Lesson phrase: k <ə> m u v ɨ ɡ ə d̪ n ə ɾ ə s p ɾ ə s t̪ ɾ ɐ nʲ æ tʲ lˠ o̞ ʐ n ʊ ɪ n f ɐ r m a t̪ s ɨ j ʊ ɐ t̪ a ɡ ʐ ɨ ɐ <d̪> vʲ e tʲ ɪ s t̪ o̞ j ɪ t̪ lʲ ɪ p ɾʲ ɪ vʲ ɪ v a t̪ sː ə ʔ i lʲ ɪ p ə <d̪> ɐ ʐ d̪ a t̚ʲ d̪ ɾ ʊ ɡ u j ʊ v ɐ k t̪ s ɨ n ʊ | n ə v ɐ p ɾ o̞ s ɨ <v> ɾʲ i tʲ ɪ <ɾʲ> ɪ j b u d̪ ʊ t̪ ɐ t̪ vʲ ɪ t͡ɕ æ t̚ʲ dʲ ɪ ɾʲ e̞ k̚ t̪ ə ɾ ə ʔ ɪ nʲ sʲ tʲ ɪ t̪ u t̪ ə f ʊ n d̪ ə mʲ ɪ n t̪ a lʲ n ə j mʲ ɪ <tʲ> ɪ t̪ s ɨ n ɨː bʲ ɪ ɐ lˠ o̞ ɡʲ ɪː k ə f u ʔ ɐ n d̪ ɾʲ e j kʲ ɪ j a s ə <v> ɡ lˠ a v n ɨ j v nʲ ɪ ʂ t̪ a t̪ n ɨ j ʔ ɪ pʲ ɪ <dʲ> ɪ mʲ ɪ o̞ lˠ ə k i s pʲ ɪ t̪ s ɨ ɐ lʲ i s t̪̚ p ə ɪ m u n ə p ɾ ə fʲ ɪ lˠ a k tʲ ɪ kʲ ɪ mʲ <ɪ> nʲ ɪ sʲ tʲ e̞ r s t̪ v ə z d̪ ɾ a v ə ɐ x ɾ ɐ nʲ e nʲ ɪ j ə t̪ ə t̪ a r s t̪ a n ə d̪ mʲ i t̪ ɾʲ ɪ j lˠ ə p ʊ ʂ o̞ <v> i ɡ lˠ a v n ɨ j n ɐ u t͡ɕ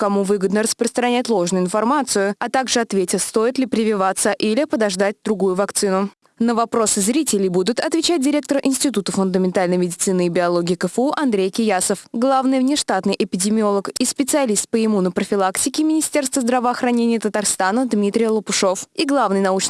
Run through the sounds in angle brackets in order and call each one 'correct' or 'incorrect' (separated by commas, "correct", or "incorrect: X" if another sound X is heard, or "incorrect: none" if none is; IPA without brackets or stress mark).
incorrect: ɐ, incorrect: t̪, correct, incorrect: z, incorrect: lʲ, incorrect: dʲ, incorrect: f, correct, correct, incorrect: f